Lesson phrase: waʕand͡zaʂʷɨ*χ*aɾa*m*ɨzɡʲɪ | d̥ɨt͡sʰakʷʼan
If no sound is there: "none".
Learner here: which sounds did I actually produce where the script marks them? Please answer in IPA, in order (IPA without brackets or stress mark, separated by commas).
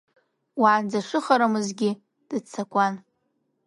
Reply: χ, m